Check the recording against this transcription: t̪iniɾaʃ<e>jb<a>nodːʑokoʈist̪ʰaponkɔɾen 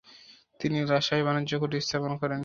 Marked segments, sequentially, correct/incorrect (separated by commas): incorrect, correct